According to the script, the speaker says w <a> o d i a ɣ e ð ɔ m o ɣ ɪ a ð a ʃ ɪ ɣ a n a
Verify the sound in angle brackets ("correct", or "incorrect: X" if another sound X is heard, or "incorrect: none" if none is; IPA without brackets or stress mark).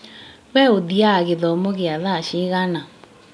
incorrect: ɛ